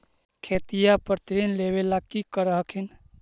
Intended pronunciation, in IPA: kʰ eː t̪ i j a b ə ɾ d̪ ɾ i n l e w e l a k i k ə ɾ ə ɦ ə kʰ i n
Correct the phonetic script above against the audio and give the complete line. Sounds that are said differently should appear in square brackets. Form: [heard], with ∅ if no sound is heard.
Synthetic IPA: kʰ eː t̪ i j a [p] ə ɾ [t̪] ɾ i n l e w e l a k i k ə ɾ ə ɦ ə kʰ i n